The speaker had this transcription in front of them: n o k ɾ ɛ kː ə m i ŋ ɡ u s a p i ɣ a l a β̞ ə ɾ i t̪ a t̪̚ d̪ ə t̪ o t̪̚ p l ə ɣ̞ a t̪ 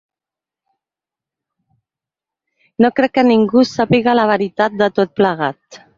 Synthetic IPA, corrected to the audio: n o k ɾ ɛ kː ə n i ŋ ɡ u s a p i ɣ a l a β̞ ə ɾ i t̪ a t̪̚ d̪ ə t̪ o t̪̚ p l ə ɣ̞ a t̪